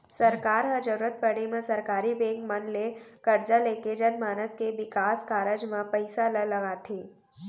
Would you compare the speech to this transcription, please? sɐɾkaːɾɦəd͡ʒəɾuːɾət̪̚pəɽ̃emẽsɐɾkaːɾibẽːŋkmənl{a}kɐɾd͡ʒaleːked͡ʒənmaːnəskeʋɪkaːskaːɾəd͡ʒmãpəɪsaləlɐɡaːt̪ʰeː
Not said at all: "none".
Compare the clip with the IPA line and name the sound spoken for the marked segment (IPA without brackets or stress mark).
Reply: e